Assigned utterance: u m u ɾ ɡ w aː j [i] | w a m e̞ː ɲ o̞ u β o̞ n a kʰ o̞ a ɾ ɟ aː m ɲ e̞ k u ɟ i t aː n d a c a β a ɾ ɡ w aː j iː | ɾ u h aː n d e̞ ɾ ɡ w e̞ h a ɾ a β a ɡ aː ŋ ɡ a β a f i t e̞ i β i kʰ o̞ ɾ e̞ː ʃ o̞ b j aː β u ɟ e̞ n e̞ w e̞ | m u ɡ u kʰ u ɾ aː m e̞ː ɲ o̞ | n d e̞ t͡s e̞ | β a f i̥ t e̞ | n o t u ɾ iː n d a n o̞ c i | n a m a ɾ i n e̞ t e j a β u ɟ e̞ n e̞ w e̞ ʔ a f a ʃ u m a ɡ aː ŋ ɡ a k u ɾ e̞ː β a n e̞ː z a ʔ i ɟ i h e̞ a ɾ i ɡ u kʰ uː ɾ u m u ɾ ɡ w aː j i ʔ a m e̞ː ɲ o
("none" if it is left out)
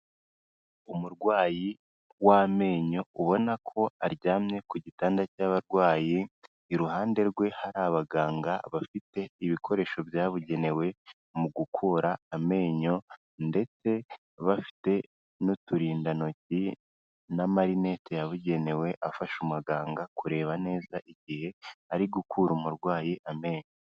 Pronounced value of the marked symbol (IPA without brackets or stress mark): i